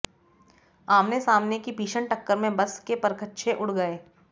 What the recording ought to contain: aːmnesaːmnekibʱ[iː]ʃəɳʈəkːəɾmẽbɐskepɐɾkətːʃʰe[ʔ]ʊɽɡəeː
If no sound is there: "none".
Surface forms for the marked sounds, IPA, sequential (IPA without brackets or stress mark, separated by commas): iː, ʔ